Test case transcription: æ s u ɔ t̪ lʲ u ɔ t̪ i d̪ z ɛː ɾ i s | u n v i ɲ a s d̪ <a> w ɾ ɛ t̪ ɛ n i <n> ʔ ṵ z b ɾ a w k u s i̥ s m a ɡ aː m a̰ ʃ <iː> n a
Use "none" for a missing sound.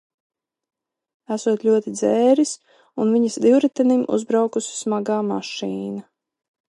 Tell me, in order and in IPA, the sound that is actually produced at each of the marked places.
i, m, iː

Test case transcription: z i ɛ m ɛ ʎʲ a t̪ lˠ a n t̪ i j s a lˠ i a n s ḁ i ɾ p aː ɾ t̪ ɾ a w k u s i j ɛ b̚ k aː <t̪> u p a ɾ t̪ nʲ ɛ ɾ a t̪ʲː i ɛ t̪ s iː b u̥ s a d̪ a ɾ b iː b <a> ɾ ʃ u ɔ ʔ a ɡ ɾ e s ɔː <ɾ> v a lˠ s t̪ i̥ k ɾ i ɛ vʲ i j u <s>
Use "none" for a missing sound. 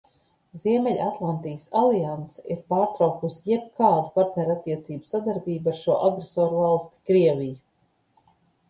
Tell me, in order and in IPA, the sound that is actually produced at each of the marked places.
d̪, a, ɾ, none

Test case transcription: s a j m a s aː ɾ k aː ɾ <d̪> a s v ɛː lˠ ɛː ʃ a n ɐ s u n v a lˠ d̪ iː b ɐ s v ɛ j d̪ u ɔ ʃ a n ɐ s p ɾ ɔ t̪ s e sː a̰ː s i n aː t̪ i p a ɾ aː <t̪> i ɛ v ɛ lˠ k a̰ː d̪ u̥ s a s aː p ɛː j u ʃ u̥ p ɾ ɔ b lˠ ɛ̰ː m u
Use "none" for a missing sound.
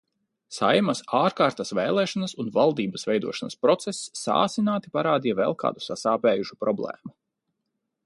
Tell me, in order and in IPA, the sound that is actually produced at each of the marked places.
t̪, d̪

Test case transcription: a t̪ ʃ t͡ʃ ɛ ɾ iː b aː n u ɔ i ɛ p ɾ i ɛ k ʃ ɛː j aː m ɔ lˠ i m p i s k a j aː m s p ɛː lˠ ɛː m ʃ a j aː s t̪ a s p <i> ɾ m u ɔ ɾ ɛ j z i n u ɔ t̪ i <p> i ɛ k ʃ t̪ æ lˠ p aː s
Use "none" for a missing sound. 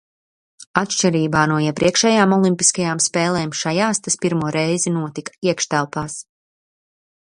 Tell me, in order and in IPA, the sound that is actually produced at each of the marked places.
i, k

